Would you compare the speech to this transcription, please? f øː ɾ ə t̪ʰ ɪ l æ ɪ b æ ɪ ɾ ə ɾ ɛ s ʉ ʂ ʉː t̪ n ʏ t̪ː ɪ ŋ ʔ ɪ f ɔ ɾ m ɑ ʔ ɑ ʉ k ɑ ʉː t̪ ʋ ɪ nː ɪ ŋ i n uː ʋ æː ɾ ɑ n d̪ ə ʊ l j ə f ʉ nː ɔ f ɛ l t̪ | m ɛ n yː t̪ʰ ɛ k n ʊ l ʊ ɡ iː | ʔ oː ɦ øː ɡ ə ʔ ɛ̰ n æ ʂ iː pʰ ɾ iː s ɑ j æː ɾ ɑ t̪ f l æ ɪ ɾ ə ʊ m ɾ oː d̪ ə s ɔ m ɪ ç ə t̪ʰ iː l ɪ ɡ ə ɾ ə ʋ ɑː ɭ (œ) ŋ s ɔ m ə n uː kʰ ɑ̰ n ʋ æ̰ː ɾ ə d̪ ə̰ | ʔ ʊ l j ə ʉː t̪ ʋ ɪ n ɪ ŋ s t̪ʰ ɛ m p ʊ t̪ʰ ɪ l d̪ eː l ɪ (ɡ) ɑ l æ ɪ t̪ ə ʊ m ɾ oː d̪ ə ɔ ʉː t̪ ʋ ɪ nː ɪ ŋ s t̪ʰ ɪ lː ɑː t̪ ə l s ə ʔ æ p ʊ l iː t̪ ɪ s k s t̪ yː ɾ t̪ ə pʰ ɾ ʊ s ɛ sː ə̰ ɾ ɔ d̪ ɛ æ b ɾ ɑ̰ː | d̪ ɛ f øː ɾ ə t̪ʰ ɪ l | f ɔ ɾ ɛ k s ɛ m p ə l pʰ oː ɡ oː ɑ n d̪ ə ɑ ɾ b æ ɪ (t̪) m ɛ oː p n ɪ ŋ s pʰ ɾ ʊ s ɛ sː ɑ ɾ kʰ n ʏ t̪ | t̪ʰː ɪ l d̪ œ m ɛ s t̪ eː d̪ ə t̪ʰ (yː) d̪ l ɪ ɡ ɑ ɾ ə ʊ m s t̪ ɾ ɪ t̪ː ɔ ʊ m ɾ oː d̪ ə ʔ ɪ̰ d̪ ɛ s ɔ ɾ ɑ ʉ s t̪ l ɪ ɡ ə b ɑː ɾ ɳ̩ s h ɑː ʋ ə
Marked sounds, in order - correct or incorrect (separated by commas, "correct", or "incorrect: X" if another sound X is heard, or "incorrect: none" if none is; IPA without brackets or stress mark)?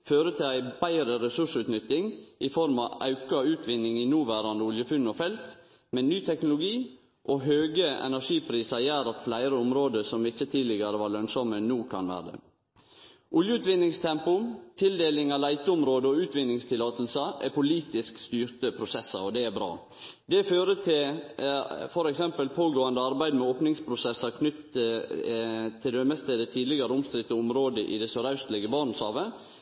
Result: correct, incorrect: ŋ, incorrect: d̪, incorrect: iː